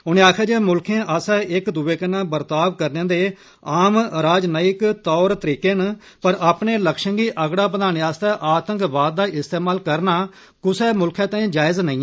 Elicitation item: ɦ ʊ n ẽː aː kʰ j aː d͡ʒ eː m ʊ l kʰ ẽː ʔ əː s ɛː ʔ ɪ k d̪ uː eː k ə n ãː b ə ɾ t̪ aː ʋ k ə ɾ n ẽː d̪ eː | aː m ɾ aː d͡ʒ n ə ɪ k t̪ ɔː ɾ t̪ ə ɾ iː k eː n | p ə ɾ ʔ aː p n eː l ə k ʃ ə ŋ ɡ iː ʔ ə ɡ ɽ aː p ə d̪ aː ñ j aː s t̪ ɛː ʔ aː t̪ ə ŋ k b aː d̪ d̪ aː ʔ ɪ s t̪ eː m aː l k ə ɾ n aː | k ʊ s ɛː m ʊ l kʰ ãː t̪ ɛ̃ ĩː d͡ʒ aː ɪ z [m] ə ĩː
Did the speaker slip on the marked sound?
yes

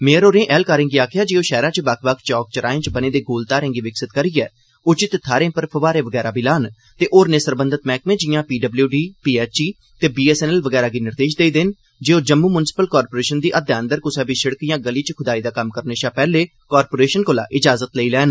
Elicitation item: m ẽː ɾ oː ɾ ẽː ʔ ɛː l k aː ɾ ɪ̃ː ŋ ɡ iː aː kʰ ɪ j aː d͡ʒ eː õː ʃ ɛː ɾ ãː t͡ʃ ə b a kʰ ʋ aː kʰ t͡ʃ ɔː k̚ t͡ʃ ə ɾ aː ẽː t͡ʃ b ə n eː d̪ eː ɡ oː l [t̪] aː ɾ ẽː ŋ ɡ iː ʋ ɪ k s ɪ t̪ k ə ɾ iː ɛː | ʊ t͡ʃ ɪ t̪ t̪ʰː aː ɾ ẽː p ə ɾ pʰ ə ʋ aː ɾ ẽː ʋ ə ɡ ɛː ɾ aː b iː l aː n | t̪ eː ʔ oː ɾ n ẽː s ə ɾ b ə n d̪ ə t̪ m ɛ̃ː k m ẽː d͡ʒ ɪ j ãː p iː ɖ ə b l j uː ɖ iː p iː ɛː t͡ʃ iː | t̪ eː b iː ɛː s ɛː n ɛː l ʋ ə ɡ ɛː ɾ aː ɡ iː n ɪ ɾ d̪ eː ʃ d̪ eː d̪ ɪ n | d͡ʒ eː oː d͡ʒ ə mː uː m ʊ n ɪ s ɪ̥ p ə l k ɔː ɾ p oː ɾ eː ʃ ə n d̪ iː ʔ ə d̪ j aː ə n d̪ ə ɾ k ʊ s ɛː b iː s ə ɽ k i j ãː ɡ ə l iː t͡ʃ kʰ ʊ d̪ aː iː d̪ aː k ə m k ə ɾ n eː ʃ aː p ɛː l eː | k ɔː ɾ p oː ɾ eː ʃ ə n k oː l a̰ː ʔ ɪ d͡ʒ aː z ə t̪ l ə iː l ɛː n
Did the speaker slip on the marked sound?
no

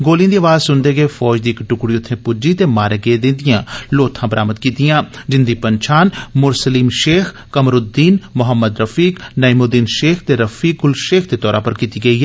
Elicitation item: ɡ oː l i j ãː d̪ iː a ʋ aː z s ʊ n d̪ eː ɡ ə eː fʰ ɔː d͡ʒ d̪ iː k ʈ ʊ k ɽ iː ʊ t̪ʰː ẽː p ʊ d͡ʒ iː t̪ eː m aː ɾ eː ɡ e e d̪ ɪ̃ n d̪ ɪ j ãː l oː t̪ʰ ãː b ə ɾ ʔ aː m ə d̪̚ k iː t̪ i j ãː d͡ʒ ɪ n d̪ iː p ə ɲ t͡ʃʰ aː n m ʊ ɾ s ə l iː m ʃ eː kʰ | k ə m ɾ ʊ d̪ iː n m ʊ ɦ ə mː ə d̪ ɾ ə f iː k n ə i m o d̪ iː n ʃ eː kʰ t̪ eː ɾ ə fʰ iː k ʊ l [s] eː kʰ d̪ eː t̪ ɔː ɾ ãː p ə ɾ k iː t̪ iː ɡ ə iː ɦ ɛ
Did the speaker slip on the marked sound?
yes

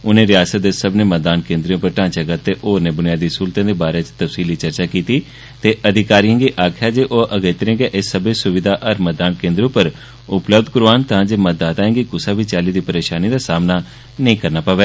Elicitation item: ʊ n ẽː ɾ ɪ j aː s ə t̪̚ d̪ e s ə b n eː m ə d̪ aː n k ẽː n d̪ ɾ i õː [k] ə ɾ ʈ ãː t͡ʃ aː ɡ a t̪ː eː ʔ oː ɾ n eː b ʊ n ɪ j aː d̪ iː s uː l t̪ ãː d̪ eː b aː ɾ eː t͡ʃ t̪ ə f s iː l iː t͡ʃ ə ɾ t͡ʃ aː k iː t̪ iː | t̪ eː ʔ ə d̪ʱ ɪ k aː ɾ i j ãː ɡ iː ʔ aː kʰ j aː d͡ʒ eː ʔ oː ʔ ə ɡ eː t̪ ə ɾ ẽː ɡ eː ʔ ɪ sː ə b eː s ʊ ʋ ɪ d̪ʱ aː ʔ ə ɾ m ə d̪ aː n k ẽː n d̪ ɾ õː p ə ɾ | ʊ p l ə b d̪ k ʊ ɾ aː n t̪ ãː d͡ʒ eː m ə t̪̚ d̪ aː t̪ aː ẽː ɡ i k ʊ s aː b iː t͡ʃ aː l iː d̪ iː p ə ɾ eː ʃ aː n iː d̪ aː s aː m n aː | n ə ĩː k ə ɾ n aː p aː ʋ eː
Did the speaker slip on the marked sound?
yes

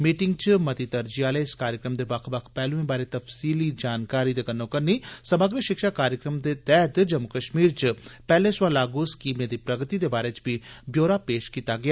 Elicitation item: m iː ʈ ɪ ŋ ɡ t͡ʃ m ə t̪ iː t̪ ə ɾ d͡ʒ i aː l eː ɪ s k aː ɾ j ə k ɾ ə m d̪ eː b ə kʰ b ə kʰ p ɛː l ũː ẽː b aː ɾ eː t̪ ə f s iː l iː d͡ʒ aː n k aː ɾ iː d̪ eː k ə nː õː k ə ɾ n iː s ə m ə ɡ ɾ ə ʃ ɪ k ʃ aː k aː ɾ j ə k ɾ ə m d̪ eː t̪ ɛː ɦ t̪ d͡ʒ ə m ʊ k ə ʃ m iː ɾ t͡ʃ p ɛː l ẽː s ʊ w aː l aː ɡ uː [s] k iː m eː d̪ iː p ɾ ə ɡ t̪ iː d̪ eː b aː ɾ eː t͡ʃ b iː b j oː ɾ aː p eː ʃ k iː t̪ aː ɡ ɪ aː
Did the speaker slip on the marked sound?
no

